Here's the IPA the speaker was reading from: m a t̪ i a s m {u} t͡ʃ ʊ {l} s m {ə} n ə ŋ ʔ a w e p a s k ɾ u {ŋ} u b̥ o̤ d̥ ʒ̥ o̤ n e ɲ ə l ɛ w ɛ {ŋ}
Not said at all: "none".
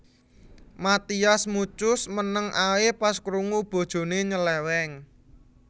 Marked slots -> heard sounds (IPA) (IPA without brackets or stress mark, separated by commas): u, none, ə, ŋ, ŋ